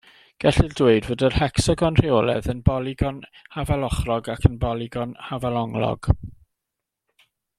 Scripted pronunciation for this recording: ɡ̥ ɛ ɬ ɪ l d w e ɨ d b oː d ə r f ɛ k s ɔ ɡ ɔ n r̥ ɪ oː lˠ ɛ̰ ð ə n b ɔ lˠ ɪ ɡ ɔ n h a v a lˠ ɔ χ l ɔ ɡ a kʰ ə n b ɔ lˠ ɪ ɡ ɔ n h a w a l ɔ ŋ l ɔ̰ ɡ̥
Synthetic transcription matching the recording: ɡ̥ ɛ ɬ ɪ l d w e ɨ d v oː d ə r h ɛ k s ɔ ɡ ɔ n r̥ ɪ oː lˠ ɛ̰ ð ə n b ɔ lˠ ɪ ɡ ɔ n h a v a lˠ ɔ χ r ɔ ɡ a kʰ ə n b ɔ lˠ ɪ ɡ ɔ n h a v a l ɔ ŋ l ɔ̰ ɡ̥